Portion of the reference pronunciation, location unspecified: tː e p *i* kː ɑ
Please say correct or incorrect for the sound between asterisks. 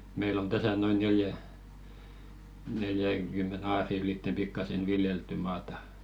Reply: correct